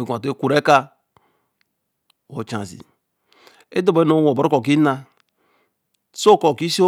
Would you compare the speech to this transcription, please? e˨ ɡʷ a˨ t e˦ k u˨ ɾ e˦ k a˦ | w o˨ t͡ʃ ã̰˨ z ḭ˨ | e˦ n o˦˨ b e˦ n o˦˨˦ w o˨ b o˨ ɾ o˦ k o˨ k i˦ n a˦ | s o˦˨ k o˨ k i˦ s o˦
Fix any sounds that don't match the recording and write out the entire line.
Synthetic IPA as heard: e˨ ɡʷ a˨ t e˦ k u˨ ɾ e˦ k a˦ | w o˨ t͡ʃ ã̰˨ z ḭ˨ | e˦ d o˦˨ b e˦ n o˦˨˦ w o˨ b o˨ ɾ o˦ k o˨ k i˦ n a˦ | s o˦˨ k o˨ k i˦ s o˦